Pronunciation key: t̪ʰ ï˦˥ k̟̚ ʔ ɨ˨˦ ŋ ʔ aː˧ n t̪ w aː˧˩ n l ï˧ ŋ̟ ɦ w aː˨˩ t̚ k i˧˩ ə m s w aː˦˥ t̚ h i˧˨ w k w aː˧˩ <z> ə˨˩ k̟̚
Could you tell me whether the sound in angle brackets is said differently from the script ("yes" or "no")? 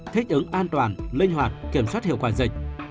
no